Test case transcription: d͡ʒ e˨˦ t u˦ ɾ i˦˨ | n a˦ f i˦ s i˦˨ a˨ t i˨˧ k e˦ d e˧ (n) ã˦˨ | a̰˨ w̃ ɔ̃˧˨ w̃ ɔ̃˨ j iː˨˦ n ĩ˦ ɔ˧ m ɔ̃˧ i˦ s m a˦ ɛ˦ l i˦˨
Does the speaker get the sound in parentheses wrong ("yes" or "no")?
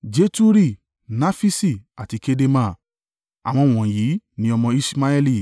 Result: yes